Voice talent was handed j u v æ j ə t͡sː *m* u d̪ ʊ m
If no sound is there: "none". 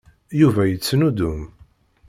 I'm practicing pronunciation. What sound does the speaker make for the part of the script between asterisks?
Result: n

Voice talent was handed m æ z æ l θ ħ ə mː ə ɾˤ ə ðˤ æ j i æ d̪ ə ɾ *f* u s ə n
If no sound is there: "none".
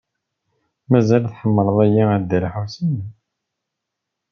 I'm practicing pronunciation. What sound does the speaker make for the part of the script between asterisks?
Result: ħ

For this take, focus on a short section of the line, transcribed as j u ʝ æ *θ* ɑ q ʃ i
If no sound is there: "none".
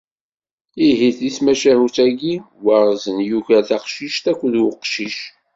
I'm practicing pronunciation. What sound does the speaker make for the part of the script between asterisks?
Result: θ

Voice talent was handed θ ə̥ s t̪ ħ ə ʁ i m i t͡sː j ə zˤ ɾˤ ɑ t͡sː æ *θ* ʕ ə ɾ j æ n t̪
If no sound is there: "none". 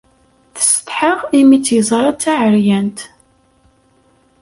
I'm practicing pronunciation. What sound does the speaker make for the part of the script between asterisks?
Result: none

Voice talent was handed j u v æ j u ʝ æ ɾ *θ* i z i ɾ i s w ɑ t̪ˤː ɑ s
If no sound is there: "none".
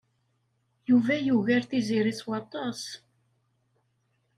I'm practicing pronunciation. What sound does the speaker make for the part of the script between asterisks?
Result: θ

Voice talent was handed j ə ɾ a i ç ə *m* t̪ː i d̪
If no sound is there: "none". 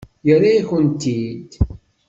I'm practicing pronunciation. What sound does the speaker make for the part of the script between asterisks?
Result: n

